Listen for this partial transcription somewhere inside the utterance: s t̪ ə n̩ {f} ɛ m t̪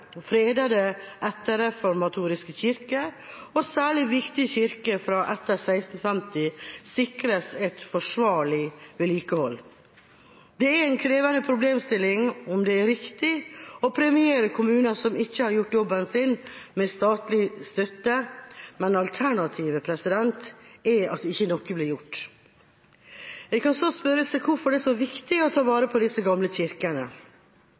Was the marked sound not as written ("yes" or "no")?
no